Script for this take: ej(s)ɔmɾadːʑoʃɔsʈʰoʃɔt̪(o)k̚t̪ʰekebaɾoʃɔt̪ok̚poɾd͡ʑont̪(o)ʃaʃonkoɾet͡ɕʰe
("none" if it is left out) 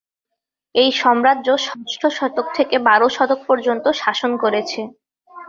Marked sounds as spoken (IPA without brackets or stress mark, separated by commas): ʃ, o, o